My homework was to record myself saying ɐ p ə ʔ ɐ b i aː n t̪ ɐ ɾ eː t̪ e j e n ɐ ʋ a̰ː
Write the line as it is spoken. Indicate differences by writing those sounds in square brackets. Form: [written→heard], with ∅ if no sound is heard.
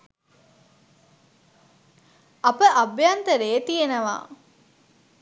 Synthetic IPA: ɐ p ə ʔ ɐ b [i→j] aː n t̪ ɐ ɾ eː t̪ [e→i] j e n ɐ ʋ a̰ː